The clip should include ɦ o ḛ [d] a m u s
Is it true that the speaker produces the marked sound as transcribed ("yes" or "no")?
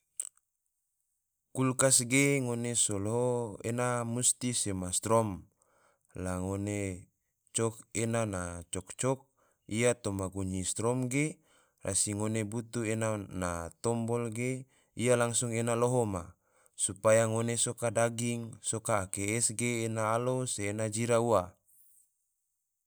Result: no